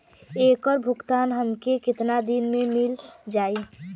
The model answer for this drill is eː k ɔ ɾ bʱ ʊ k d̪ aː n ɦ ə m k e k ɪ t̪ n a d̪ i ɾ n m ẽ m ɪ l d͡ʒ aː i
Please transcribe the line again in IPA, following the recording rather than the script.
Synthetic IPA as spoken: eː k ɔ ɾ bʱ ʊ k t̪ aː n ɦ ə m k e k ɪ t̪ n a d̪ i n m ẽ m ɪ l d͡ʒ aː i